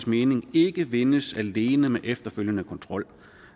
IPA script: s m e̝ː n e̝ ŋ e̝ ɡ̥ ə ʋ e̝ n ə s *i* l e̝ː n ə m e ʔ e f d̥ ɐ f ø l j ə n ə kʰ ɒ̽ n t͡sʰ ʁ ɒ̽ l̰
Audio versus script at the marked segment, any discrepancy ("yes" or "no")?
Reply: yes